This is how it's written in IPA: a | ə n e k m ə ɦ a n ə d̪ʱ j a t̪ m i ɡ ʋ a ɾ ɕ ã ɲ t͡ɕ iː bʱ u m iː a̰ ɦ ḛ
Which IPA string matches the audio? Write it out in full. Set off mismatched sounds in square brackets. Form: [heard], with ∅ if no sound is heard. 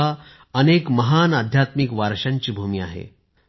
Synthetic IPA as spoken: a | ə n e k m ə ɦ a n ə d̪ʱ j a t̪ m i [k] ʋ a ɾ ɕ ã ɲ t͡ɕ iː bʱ u m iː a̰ ɦ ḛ